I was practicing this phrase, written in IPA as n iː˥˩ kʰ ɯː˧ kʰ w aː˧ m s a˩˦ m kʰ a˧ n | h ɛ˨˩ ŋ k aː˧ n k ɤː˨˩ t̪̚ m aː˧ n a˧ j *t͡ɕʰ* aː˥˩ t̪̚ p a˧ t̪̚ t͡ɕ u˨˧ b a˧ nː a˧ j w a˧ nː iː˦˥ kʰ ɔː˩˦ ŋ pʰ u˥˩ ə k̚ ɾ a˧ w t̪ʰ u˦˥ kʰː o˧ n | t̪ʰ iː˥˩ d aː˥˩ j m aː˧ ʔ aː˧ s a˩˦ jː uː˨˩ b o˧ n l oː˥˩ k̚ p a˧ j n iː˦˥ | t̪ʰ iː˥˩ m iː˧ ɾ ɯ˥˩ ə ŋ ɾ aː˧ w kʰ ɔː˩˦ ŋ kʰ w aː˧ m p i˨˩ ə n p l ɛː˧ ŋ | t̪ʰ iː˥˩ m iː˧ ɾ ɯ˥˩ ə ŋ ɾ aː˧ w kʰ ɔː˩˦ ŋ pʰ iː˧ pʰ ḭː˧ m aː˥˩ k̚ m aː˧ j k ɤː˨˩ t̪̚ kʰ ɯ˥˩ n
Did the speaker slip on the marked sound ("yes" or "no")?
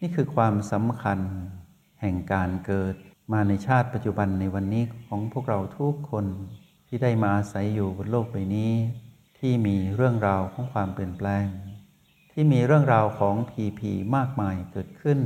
no